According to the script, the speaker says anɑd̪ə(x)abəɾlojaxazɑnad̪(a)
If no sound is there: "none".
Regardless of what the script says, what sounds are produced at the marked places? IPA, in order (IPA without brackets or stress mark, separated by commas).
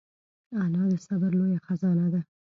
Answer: s, a